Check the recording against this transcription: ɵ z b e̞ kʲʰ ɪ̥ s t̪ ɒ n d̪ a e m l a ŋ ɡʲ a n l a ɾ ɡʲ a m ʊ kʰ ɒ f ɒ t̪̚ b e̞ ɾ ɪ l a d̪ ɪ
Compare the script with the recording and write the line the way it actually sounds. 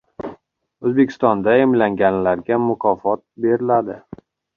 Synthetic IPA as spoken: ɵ z b e̞ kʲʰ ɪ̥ s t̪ ɒ n d̪ a e m l a ŋ ɡʲ a n l a ɾ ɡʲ a m ʊ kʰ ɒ f ɒ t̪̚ b e̞ ɾ ɪ l a d̪ ɪ